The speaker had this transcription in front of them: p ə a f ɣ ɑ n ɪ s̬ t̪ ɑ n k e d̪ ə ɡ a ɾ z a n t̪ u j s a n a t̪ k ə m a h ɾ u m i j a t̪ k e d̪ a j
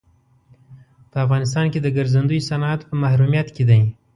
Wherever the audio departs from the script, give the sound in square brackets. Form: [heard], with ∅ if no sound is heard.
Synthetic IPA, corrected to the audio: p ə a f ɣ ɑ n ɪ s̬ t̪ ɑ n k e d̪ ə ɡ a ɾ z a n [d̪] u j s a n a t̪ [p] ə m a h ɾ u m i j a t̪ k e d̪ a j